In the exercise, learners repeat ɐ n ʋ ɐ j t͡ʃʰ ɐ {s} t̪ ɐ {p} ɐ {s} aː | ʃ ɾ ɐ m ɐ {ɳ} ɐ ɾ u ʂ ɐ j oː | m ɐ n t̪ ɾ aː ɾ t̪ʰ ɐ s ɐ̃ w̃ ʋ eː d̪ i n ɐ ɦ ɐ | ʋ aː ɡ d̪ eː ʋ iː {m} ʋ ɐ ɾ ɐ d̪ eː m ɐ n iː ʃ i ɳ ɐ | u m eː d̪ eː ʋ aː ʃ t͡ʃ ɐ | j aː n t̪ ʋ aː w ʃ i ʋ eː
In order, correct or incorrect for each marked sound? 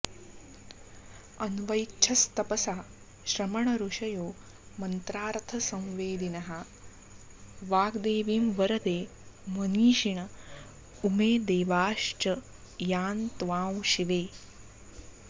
correct, correct, correct, correct, correct

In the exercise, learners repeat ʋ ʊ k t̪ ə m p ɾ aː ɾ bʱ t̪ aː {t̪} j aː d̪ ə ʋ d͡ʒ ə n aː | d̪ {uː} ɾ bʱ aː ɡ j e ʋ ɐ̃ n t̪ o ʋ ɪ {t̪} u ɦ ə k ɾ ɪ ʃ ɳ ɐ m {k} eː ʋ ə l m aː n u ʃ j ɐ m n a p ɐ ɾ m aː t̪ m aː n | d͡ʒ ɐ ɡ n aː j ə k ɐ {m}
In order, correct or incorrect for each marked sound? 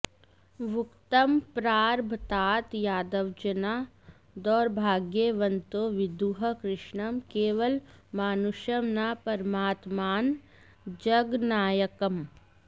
correct, incorrect: ɔː, incorrect: d̪, correct, correct

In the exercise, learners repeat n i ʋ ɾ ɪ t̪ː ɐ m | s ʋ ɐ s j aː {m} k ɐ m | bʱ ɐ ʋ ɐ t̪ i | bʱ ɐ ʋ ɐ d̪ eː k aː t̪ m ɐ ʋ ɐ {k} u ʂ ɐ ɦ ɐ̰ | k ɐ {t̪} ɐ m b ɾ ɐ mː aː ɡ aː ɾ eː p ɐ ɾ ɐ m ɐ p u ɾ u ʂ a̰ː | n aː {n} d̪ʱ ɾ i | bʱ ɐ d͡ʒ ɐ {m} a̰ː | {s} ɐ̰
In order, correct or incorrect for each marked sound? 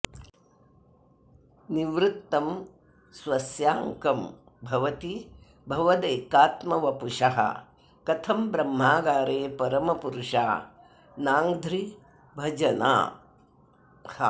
incorrect: ŋ, incorrect: p, incorrect: t̪ʰ, incorrect: ŋ, incorrect: n, incorrect: h

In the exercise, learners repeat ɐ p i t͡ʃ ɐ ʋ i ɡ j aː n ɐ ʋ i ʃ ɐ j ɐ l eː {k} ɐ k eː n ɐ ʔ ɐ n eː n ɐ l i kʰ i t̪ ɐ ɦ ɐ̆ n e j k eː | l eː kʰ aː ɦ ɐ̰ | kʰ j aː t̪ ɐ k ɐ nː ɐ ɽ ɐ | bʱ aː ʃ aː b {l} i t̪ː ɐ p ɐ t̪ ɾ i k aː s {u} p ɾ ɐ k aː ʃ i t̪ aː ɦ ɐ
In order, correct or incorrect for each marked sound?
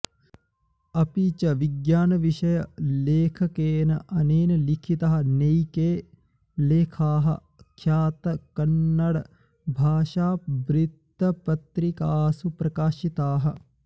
incorrect: kʰ, incorrect: ɾ, correct

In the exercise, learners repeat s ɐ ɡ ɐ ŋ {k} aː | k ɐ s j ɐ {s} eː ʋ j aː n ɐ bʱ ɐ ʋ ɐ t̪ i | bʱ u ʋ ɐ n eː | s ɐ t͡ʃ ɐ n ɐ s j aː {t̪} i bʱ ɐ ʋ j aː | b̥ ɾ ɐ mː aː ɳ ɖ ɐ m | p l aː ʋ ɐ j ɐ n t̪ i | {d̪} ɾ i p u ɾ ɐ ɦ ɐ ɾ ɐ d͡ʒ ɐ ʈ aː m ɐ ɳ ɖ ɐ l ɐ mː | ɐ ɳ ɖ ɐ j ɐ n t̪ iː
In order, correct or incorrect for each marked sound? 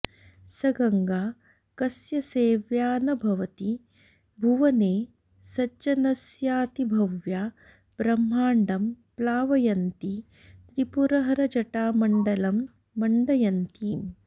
incorrect: ɡ, correct, correct, incorrect: t̪

